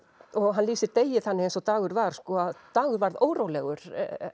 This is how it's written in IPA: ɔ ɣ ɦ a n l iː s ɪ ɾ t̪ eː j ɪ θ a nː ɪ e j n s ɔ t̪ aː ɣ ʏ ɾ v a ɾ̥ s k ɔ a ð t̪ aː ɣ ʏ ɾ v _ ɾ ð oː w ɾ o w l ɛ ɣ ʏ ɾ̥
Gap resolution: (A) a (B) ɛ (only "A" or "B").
A